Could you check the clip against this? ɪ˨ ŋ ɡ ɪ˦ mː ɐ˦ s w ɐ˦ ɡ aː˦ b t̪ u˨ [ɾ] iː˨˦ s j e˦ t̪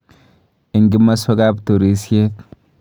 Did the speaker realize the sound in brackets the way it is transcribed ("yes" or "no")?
yes